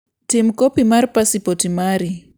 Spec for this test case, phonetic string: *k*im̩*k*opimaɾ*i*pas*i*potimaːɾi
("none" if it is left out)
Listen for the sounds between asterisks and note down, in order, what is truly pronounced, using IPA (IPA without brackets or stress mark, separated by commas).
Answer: t, k, i, i